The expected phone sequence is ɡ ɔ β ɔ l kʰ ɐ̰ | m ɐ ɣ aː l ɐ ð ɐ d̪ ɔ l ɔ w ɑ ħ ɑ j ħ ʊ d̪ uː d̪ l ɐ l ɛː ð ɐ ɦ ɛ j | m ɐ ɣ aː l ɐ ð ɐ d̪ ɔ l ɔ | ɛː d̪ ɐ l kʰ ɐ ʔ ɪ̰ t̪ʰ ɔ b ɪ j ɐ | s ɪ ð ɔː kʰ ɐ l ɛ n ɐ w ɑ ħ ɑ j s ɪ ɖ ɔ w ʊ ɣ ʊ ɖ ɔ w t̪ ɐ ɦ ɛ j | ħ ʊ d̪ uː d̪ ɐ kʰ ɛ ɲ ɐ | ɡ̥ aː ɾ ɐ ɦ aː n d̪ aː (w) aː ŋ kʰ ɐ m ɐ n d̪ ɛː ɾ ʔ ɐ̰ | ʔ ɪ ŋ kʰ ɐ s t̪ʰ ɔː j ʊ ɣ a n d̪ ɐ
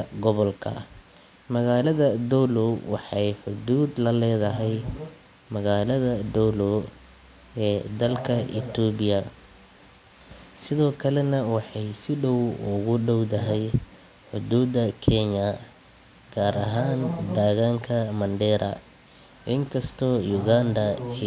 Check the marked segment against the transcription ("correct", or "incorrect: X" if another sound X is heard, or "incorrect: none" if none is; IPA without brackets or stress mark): incorrect: ɣ